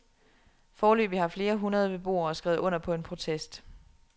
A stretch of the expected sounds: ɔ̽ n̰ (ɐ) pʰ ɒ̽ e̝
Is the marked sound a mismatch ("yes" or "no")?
no